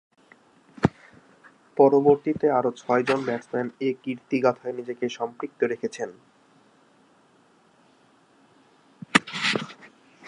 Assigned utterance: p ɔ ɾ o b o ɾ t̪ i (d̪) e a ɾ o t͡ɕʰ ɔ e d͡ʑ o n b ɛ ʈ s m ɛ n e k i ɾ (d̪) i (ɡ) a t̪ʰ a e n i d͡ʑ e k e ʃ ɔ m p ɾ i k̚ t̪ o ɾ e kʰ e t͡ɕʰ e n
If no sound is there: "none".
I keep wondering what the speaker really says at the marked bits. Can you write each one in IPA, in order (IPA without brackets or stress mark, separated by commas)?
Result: t̪, t̪, ɡ